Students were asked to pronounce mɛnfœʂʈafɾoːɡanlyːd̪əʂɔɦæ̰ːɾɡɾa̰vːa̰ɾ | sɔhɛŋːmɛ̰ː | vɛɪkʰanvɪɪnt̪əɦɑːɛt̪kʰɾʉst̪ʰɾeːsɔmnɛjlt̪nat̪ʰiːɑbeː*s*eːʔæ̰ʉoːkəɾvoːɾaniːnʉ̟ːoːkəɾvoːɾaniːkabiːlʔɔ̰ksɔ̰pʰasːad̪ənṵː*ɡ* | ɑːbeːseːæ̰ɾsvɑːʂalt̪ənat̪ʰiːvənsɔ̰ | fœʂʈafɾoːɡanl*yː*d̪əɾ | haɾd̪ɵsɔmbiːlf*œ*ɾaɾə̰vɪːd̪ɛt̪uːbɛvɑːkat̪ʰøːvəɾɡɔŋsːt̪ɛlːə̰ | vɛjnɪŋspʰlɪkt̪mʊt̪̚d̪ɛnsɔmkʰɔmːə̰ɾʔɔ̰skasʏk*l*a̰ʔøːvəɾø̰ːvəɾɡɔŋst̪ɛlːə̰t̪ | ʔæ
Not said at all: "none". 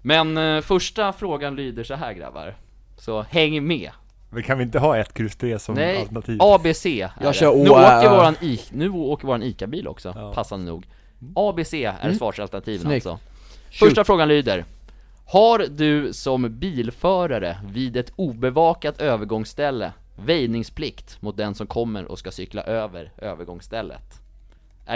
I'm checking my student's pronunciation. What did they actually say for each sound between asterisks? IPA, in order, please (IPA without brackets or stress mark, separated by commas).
s, ɡ, yː, œː, l